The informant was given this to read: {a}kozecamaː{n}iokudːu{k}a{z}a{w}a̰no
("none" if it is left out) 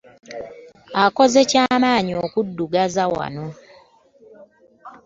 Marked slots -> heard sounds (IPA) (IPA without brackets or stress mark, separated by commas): a, ɲ, ɡ, z, w